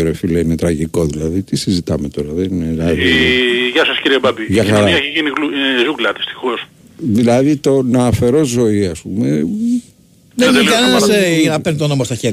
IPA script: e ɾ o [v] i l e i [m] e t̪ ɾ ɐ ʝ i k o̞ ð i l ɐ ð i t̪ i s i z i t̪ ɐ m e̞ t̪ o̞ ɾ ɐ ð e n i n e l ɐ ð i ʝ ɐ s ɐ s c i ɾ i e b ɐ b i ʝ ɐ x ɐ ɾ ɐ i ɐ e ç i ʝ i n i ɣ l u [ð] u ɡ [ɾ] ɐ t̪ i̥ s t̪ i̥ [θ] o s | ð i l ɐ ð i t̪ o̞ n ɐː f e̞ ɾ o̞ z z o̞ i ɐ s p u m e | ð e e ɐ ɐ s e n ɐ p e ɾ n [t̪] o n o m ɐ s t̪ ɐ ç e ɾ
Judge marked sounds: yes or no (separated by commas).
no, no, no, no, no, yes